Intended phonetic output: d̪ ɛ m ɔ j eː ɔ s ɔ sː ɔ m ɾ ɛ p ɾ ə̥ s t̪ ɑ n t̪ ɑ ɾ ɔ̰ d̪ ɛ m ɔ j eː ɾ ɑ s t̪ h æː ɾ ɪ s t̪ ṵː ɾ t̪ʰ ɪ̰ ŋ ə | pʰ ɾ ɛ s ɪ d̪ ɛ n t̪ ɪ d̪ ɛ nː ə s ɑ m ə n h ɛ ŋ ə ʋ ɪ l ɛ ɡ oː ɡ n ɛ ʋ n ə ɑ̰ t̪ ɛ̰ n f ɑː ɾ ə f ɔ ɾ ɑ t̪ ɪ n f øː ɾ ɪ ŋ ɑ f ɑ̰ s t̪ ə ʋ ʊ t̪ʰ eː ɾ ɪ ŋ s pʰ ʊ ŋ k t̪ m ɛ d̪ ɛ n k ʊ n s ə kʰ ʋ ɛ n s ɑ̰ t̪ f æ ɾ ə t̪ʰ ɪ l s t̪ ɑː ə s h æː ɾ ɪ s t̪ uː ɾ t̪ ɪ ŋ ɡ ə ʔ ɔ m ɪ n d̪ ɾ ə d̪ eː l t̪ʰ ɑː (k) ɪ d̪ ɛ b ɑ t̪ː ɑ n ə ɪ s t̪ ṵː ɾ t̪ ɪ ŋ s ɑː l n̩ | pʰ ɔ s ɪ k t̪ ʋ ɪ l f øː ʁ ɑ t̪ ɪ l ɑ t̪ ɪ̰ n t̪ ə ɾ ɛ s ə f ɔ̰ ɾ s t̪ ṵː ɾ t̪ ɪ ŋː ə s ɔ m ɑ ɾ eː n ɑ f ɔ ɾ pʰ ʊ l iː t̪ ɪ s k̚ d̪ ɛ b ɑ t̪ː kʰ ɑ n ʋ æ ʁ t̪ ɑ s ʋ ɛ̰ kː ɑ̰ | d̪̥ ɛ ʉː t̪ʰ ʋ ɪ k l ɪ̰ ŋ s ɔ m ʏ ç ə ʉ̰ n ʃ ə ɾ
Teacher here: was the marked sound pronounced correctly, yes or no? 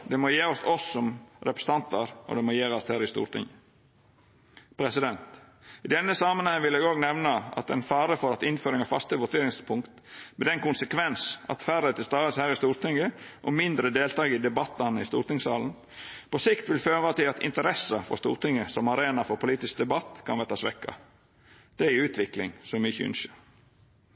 no